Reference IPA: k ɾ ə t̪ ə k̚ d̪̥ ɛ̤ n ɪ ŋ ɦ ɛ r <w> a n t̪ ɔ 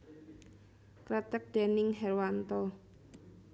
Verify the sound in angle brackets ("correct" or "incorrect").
correct